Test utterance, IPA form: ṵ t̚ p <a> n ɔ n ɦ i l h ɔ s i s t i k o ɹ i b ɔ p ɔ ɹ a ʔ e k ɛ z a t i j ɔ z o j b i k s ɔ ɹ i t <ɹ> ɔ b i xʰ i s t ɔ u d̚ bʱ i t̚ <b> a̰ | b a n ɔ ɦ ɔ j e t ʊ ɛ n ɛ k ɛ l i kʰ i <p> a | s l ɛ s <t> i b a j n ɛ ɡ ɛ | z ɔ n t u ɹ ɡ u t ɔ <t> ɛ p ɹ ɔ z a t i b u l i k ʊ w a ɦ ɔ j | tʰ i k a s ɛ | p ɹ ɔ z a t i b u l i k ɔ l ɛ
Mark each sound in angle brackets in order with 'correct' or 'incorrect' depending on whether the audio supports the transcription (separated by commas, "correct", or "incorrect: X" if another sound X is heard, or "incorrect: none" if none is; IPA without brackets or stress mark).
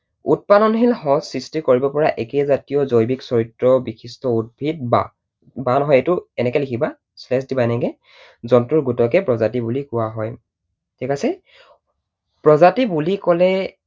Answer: correct, correct, correct, incorrect: b, incorrect: d, incorrect: k